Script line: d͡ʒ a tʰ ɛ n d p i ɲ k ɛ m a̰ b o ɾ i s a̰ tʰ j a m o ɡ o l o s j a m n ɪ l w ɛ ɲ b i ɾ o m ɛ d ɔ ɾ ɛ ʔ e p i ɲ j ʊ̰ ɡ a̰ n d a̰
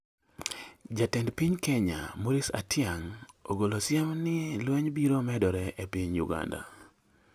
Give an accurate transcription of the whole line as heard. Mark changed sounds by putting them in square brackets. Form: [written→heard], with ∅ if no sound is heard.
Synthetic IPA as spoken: d͡ʒ a [tʰ→t] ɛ n d p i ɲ k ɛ [m→ɲ] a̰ [b→m] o ɾ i s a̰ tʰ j a [m→ŋ] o ɡ o l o s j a m n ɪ l w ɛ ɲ b i ɾ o m ɛ d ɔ ɾ ɛ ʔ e p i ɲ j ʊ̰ ɡ a̰ n d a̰